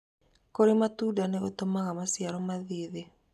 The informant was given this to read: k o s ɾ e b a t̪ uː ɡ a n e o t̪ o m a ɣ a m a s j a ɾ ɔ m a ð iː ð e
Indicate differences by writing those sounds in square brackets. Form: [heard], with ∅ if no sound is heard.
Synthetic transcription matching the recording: k o [∅] ɾ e [m] a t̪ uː [d] a n e o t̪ o m a ɣ a m a s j a ɾ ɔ m a ð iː ð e